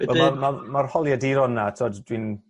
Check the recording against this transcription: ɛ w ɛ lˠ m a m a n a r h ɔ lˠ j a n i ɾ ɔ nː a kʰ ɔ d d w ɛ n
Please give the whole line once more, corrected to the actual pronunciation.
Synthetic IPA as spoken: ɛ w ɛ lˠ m a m a m a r h ɔ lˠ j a d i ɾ ɔ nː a tʰ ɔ d d w i n

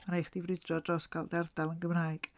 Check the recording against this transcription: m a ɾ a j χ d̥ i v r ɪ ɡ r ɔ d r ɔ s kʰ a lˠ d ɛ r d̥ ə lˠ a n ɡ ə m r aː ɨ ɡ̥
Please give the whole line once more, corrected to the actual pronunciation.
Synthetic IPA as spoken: m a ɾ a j χ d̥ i v r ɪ d r ɔ d r ɔ s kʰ a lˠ d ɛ r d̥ a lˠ ə n ɡ ə m r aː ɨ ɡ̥

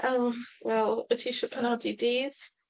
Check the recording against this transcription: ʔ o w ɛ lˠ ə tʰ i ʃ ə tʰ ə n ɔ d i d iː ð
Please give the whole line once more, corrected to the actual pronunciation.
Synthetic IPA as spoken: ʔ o w ɛ lˠ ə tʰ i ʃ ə pʰ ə n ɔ d i d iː ð

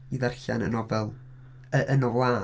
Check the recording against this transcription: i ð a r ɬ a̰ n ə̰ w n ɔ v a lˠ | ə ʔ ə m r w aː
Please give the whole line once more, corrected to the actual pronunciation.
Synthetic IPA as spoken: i ð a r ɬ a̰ n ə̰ n ɔ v ɛ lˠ | ə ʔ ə n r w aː

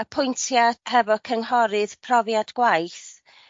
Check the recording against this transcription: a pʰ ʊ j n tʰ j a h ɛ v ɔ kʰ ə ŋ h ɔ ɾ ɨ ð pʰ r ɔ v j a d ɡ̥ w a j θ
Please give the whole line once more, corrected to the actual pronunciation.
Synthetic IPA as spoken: ə pʰ ʊ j n tʰ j a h ɛ v ɔ kʰ ə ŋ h ɔ ɾ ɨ ð pʰ r ɔ v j a d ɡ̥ w a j θ

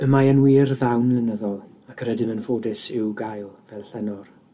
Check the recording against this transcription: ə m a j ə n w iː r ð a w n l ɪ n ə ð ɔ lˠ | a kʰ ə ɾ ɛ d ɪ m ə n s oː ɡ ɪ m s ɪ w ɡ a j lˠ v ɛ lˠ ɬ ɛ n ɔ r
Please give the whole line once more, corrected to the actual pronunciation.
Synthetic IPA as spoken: ə m a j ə n w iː r ð a w n l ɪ n ə ð ɔ lˠ | a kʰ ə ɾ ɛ d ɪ m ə n f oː d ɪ s ɪ w ɡ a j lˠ v ɛ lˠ ɬ ɛ n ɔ r

